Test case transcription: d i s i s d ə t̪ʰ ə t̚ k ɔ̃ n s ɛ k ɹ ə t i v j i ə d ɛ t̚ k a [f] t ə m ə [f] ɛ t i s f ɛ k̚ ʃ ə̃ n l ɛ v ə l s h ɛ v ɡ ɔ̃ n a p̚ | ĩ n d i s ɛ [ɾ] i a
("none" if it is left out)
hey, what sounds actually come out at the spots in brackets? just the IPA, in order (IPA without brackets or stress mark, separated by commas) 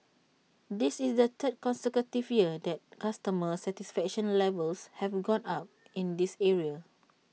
s, s, ɹ